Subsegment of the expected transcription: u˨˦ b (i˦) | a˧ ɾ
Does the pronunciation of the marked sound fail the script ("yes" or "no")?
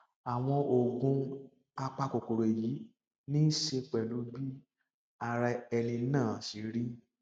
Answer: no